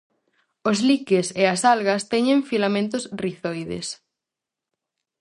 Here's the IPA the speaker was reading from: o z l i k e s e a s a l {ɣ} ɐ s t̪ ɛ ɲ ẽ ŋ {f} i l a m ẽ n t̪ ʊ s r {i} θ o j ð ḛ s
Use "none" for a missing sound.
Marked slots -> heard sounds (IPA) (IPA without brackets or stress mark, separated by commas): ɣ, f, i